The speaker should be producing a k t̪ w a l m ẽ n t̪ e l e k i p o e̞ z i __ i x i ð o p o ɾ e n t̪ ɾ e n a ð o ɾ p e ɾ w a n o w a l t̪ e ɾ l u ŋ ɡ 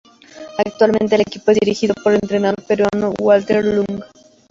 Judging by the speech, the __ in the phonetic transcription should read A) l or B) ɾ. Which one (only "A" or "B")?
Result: B